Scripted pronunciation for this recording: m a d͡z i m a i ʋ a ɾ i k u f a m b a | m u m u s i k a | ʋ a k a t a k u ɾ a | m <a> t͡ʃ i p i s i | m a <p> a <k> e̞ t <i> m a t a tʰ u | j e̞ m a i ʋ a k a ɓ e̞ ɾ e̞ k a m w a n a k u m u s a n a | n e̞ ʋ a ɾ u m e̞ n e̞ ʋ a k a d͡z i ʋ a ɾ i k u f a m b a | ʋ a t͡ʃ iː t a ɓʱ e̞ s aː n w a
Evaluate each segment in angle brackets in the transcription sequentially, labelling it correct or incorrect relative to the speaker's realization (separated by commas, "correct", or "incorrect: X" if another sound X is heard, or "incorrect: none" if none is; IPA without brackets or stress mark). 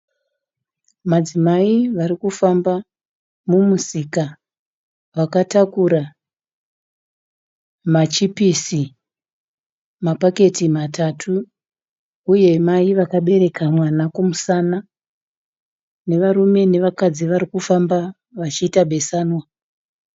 correct, correct, correct, correct